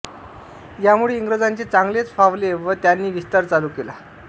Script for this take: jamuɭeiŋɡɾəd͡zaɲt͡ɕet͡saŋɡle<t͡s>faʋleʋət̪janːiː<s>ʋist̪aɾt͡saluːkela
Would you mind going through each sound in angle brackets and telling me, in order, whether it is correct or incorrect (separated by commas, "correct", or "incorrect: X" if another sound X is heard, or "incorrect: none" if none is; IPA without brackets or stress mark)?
correct, incorrect: none